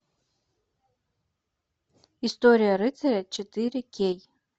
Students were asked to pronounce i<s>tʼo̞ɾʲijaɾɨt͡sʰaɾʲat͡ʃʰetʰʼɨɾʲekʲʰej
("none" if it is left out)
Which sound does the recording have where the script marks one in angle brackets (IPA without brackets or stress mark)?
s